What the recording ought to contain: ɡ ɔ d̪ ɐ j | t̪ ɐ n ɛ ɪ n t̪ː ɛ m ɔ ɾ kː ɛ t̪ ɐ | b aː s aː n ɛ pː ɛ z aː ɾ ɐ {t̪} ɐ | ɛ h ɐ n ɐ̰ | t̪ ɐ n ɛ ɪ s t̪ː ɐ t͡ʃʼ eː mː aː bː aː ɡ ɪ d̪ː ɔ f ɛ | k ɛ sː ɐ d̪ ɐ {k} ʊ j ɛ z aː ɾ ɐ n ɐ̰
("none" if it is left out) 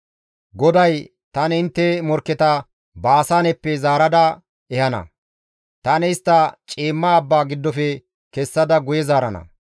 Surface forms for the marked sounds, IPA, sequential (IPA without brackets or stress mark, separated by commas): d̪, ɡ